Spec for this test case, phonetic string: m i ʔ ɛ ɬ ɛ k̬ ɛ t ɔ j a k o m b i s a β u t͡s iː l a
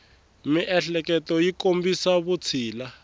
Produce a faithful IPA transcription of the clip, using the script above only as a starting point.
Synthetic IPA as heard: m i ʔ ɛ ɬ ɛ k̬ ɛ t ɔ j i k o m b i s a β u t͡sʰ iː l a